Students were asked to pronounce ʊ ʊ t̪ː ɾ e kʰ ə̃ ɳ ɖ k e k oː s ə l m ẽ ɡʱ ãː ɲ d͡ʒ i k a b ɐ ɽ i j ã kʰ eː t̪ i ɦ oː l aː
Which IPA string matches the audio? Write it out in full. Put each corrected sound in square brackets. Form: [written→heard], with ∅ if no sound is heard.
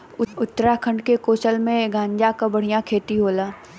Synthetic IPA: ʊ ʊ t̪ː ɾ [e→a] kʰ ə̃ ɳ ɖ k e k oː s ə l m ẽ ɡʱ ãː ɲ d͡ʒ [i→a] k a b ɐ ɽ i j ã kʰ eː t̪ i ɦ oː l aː